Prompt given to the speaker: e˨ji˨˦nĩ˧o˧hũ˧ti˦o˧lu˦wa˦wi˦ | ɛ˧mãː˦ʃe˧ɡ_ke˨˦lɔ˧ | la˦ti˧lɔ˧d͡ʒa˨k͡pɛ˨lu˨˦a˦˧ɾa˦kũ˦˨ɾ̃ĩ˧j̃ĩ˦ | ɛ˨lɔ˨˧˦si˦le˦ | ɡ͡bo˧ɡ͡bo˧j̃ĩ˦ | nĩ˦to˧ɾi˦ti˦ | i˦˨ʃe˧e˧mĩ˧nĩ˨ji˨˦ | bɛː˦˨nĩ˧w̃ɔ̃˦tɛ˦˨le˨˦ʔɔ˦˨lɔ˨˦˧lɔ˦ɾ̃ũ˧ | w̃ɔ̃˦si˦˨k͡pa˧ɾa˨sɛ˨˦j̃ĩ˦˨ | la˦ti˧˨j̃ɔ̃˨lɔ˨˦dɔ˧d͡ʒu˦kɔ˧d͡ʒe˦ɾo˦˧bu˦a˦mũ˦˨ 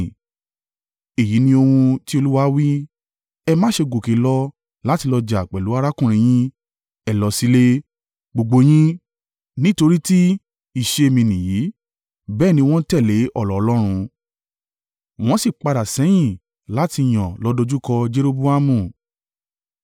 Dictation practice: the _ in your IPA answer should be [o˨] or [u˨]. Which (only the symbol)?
o˨